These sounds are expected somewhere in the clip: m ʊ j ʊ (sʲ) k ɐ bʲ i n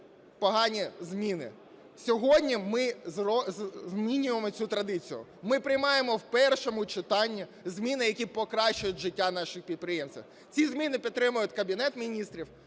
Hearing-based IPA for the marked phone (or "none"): tʲ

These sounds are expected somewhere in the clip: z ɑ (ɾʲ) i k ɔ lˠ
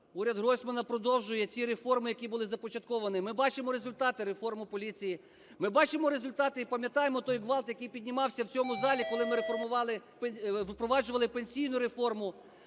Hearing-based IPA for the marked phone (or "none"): lʲ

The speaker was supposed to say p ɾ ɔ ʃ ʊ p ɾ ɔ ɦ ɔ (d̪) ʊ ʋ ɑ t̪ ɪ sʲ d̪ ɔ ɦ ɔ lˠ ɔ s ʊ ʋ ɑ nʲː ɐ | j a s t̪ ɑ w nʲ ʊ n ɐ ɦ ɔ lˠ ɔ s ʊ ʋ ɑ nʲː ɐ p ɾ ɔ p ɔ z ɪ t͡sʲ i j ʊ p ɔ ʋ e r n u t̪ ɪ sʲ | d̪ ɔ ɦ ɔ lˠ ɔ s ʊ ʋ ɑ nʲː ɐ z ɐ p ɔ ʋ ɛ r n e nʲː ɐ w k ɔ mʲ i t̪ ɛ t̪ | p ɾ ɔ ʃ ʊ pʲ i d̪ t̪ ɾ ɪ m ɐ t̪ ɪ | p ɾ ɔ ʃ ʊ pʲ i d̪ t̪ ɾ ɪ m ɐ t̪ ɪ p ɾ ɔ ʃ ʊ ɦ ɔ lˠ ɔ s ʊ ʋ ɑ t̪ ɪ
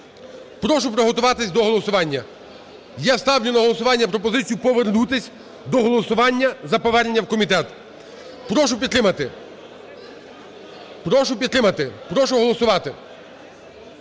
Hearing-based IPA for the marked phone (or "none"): t̪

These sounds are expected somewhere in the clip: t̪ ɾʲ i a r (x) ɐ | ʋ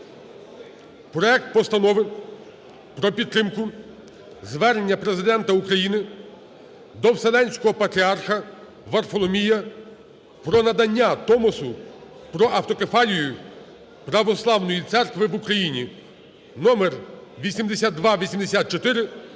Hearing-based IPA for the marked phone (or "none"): x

